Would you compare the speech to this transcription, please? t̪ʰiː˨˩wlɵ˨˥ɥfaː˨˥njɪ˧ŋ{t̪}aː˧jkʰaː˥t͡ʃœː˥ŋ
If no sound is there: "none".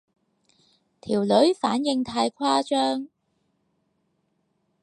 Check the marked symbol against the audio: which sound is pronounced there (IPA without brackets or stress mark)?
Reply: t̪ʰ